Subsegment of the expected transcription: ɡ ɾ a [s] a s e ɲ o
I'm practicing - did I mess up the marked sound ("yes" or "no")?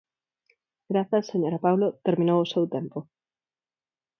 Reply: yes